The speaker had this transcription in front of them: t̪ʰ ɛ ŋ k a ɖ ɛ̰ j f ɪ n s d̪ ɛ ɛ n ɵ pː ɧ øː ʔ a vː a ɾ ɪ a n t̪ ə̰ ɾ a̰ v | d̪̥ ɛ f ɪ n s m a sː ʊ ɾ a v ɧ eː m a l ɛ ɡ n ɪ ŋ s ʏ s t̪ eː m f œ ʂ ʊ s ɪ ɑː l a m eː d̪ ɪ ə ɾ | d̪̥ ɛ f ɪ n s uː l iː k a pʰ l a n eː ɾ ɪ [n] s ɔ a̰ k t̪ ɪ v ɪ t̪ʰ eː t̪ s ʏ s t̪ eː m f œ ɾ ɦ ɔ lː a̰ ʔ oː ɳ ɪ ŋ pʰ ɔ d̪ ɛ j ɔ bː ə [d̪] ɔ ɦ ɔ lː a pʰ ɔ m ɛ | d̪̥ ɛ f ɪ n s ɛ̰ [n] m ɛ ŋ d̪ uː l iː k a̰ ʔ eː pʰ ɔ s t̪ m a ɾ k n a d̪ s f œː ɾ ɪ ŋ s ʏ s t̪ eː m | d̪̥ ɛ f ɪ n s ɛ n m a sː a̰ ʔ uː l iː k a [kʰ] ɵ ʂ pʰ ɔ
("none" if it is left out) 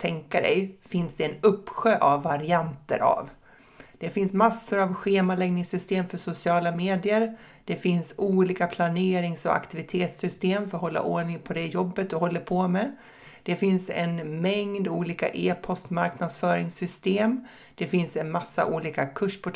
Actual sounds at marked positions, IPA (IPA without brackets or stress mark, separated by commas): ŋ, t̪, n, kʰ